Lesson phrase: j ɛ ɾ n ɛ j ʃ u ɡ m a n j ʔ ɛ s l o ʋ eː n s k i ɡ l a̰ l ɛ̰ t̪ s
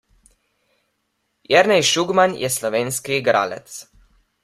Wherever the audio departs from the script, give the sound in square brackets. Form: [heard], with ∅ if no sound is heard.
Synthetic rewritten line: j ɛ ɾ n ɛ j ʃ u ɡ m a n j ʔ ɛ s l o ʋ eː n s k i ɡ [ɾ] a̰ l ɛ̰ t̪ s